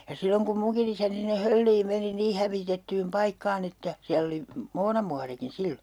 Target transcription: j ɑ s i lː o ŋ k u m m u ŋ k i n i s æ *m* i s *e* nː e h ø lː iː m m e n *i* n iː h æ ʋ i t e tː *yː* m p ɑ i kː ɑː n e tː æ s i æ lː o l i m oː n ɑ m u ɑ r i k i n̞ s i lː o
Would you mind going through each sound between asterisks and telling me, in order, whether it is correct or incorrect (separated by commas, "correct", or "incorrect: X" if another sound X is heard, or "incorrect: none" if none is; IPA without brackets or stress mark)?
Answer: incorrect: n, incorrect: i, correct, correct